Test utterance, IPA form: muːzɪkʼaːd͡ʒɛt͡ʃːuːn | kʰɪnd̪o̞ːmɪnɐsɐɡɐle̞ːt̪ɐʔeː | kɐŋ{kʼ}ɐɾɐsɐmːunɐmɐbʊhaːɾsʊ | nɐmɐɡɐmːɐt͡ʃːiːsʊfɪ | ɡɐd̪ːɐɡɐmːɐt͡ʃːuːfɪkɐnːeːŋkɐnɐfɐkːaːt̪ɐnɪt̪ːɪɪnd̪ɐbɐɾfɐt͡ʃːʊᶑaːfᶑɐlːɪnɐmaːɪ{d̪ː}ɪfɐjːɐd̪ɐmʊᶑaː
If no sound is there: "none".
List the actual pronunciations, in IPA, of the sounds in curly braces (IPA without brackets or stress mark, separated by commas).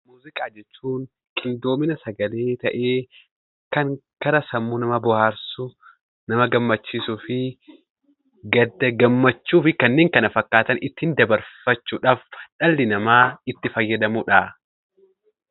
k, t̪ː